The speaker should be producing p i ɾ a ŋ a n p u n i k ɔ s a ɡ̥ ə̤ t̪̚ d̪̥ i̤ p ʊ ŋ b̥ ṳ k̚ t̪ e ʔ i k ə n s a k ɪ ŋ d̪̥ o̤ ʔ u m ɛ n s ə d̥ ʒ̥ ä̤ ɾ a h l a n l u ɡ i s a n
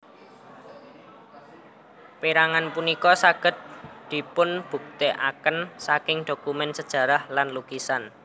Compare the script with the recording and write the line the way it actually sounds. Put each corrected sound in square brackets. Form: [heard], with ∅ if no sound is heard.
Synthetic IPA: p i ɾ a ŋ a n p u n i k ɔ s a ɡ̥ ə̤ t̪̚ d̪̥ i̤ p ʊ [n] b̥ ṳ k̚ t̪ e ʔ [a] k ə n s a k ɪ ŋ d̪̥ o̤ [k] u m ɛ n s ə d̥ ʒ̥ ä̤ ɾ a h l a n l u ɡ i s a n